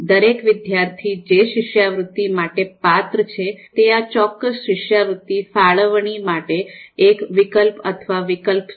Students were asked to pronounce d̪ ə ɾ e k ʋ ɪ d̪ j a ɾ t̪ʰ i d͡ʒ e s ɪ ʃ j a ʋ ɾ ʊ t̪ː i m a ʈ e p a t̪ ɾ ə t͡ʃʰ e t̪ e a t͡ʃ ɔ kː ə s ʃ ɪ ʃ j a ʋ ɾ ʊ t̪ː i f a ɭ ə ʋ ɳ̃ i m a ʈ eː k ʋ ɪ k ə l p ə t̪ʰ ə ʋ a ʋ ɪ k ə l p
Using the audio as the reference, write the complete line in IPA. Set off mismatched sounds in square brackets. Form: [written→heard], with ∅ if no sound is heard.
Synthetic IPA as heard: d̪ ə ɾ e k ʋ ɪ d̪ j a ɾ t̪ʰ i d͡ʒ e [s→ʃ] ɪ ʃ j a ʋ ɾ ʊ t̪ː i m a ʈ e p a t̪ ɾ ə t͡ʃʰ e t̪ e a t͡ʃ ɔ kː ə s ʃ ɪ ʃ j a ʋ ɾ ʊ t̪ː i f a ɭ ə ʋ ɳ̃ i m a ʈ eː k ʋ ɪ k ə l p ə t̪ʰ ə ʋ a ʋ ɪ k ə l p